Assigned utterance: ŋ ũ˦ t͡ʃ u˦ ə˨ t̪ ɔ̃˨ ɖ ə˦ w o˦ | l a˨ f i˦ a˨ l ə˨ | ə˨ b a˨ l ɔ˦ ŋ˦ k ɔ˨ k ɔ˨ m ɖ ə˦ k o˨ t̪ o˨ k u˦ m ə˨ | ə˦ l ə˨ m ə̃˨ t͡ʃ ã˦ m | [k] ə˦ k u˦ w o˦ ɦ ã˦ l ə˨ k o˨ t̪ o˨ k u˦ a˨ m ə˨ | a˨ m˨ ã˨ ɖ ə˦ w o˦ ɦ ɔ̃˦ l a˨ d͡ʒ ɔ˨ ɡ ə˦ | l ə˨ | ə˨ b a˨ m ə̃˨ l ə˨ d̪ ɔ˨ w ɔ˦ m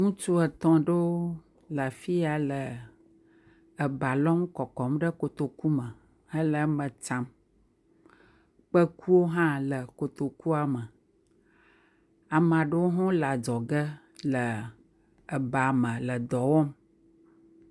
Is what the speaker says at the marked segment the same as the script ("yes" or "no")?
no